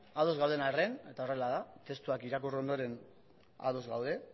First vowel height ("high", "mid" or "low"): low